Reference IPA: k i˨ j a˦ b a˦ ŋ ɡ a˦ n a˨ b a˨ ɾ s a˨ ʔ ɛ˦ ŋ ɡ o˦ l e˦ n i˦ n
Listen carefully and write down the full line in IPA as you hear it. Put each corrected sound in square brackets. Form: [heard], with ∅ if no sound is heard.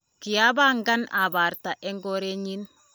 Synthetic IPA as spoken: k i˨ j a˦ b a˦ ŋ ɡ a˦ n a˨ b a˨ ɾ [t] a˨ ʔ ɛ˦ ŋ ɡ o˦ [ɾ] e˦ [ɲ] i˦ n